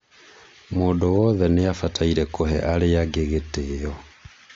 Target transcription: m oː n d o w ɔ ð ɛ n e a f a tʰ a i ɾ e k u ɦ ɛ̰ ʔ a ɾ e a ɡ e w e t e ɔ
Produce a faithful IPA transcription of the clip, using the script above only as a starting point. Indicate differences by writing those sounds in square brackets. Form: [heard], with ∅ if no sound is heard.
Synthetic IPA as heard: m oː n d o w ɔ ð ɛ n e a f a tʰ a i ɾ [ɛ] k [o] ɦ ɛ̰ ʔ a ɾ e a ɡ e [ɣ] e t e ɔ